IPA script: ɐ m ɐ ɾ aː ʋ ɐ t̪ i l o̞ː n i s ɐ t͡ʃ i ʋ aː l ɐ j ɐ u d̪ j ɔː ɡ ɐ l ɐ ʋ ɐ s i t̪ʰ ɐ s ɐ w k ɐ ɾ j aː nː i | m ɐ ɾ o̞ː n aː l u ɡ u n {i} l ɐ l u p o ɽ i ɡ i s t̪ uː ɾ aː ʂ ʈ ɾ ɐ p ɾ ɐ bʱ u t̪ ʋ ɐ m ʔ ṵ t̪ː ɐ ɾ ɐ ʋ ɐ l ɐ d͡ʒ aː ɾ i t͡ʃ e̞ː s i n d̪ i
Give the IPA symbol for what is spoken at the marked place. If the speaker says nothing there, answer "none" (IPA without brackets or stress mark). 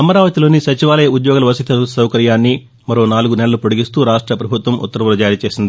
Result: ɛ